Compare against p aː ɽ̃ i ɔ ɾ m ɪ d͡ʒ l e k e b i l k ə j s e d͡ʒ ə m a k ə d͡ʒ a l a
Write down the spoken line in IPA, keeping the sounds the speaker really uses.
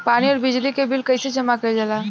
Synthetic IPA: p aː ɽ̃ i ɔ ɾ b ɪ d͡ʒ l i k e b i l k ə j s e d͡ʒ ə m a k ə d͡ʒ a l a